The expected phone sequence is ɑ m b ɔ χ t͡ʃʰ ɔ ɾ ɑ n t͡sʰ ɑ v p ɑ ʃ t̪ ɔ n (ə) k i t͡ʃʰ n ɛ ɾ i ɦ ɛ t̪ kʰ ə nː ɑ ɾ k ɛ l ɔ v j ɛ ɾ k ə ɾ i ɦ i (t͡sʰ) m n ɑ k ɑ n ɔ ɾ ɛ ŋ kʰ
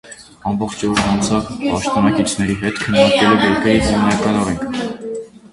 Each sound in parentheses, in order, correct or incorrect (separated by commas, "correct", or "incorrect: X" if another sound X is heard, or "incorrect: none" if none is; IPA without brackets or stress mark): incorrect: ɑ, incorrect: none